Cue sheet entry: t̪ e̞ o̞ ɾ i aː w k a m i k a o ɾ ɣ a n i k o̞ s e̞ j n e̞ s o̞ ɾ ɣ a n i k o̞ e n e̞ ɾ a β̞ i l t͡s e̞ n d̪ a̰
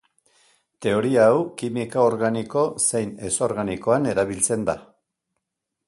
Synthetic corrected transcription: t̪ e̞ o̞ ɾ i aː w k i m i k a o ɾ ɣ a n i k o̞ s e̞ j n e̞ s o̞ ɾ ɣ a n i k o̞ a n e̞ ɾ a β̞ i l t͡s e̞ n d̪ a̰